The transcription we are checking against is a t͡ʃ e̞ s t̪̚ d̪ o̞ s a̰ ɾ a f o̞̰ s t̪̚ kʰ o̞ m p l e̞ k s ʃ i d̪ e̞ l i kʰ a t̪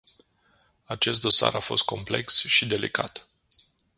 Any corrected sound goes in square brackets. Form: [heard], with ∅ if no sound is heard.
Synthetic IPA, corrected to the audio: a t͡ʃ e̞ s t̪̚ d̪ o̞ s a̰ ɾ a f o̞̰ s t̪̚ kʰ o̞ m p l e̞ k s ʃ i d̪ e̞ l i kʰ a t̪